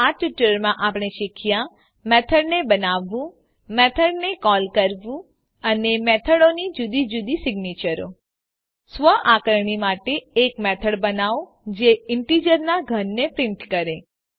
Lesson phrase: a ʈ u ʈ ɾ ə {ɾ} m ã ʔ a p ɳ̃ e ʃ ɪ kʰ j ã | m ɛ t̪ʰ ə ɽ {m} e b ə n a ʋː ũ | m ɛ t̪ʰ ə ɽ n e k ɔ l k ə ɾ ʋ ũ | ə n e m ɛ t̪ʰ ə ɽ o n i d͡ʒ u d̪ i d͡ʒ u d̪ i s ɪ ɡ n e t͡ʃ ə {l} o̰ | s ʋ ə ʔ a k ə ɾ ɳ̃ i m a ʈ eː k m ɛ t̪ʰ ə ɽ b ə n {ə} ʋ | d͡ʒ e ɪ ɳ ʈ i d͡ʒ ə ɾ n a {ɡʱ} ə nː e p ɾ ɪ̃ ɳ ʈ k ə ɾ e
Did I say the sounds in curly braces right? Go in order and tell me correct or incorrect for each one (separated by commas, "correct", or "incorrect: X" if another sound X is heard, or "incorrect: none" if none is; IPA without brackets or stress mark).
correct, incorrect: n, incorrect: ɾ, incorrect: a, correct